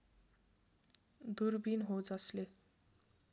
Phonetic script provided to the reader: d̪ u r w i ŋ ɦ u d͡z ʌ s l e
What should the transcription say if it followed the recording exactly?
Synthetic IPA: d̪ u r b i n ɦ o d͡z ʌ s l e